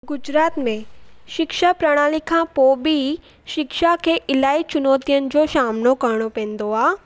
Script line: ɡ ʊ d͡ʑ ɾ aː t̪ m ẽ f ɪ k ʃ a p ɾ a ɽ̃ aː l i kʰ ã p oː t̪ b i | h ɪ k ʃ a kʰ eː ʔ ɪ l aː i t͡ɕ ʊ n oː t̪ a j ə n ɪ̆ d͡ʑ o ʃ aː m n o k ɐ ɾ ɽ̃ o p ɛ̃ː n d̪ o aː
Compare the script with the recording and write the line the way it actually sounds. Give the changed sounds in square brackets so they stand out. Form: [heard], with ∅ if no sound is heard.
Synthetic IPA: ɡ ʊ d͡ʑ ɾ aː t̪ m ẽ [ʃ] ɪ k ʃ a p ɾ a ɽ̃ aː l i kʰ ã p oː [∅] b i | [ʃ] ɪ k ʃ a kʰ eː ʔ ɪ l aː i t͡ɕ ʊ n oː t̪ [i] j ə n ɪ̆ d͡ʑ o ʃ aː m n o k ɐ ɾ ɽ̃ o p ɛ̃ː n d̪ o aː